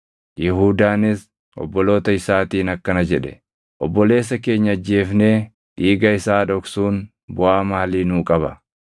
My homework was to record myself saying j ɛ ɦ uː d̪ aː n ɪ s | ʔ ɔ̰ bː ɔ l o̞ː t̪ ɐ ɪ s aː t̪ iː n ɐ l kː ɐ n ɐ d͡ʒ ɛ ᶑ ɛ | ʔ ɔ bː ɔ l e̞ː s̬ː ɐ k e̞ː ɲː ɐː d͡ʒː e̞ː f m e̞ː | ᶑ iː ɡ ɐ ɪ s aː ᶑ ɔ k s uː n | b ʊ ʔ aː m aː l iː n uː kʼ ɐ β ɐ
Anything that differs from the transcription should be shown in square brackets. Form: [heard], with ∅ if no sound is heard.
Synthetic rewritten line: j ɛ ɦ uː d̪ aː n ɪ s | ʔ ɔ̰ bː ɔ l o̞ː t̪ ɐ ɪ s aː t̪ iː n ɐ [∅] kː ɐ n ɐ d͡ʒ ɛ ᶑ ɛ | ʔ ɔ bː ɔ l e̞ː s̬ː ɐ k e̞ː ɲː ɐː d͡ʒː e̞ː f [n] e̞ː | ᶑ iː ɡ ɐ ɪ s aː ᶑ ɔ k s uː n | b ʊ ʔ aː m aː l iː n uː kʼ ɐ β ɐ